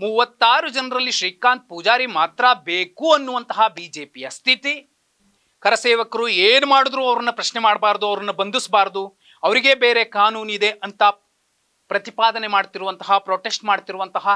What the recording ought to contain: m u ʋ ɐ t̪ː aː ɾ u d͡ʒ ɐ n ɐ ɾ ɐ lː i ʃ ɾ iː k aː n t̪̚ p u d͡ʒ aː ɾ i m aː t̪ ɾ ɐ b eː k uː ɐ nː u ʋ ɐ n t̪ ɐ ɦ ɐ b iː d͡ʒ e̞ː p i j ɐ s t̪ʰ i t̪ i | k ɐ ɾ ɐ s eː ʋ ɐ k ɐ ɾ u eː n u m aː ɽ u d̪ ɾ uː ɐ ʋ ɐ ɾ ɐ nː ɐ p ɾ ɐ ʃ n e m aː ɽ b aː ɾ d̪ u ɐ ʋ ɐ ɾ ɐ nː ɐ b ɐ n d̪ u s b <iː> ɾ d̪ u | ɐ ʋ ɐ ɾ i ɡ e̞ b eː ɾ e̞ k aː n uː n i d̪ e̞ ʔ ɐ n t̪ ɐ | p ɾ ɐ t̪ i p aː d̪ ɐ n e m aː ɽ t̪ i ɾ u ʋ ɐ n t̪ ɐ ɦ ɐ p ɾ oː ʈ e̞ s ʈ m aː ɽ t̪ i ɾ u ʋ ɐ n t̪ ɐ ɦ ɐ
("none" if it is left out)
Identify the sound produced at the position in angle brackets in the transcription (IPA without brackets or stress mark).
aː